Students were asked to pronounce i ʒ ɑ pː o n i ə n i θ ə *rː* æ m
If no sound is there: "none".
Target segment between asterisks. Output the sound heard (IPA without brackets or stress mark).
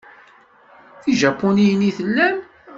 lː